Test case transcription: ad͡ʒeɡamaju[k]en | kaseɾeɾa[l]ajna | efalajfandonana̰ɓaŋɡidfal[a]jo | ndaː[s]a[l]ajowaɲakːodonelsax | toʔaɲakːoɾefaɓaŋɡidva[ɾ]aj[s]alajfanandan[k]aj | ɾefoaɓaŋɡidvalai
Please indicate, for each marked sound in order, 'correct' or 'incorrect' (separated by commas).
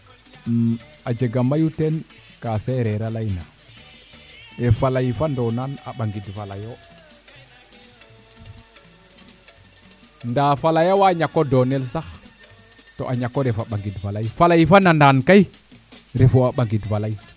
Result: incorrect, correct, correct, incorrect, correct, incorrect, incorrect, correct